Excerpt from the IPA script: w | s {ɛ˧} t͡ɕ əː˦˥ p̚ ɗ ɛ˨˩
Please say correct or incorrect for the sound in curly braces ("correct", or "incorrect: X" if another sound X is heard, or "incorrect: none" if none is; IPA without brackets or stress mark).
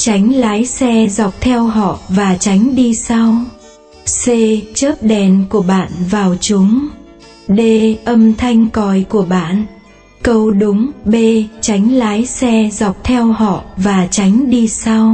incorrect: e˧